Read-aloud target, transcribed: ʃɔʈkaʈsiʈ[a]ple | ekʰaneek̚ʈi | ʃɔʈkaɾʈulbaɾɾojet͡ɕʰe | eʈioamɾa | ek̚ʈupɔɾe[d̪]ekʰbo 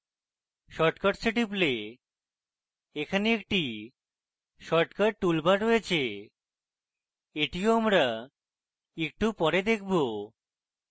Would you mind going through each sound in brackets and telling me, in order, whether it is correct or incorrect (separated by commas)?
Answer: incorrect, correct